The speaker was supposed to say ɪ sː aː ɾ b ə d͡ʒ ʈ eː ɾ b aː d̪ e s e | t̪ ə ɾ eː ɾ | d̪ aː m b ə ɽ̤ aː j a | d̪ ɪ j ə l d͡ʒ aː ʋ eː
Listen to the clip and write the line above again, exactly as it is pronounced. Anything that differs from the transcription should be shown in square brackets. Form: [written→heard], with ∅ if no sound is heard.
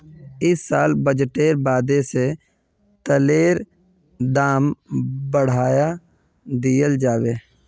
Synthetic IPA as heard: ɪ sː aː [ɾ→l] b ə d͡ʒ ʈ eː ɾ b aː d̪ e s e | t̪ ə [ɾ→l] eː ɾ | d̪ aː m b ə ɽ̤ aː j a | d̪ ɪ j ə l d͡ʒ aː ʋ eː